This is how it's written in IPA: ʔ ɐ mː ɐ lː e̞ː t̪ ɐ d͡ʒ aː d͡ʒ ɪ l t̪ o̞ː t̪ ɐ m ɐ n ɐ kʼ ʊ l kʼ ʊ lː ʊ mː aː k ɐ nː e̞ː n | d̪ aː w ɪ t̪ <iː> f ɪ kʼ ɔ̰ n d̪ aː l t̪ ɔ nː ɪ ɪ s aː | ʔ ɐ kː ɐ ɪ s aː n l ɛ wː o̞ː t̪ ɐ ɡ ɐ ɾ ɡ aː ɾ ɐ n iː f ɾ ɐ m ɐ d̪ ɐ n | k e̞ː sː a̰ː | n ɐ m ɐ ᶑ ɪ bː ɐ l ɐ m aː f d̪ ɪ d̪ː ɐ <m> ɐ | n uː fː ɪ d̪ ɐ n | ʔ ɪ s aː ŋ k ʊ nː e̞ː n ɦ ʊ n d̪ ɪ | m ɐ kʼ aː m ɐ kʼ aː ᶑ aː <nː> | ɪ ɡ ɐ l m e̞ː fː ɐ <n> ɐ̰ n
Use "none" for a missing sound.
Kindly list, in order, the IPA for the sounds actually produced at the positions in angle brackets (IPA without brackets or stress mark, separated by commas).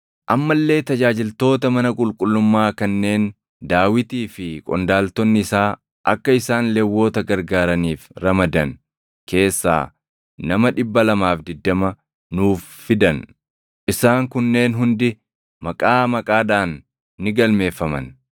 iː, m, nː, m